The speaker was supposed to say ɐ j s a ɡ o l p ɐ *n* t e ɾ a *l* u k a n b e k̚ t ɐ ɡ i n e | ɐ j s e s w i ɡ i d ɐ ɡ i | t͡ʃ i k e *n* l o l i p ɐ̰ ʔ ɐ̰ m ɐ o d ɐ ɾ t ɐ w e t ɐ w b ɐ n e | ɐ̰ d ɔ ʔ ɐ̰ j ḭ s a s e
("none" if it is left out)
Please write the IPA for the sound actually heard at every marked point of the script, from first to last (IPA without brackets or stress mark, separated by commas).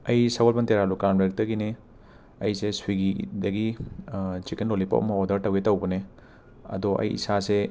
n, l, n